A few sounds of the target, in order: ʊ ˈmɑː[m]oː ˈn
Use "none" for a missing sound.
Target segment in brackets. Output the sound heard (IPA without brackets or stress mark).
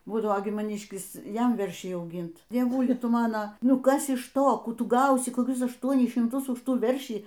n